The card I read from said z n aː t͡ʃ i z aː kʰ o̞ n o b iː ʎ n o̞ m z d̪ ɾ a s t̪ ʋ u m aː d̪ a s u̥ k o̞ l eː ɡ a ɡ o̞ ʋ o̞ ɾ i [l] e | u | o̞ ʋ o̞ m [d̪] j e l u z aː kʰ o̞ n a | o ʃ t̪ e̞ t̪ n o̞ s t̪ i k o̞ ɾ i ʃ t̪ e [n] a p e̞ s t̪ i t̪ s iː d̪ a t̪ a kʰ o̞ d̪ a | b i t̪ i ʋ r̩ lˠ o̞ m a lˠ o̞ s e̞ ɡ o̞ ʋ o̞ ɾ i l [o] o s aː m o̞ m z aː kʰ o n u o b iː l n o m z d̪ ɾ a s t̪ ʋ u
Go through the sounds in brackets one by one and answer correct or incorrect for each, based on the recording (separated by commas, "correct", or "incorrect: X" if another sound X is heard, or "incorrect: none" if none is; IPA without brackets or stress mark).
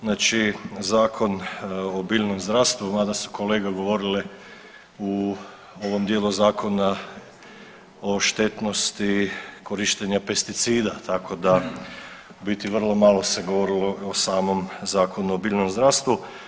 correct, correct, incorrect: ɲ, correct